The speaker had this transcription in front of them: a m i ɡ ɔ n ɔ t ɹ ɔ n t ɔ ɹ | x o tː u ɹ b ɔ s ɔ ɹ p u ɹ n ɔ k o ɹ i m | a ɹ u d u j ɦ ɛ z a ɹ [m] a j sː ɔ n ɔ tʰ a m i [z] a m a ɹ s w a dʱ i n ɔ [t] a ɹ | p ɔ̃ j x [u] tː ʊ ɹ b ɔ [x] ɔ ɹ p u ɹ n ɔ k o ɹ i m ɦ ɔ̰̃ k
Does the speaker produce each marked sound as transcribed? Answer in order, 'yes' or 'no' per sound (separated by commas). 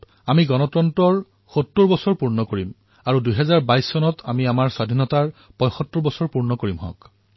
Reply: no, no, yes, no, no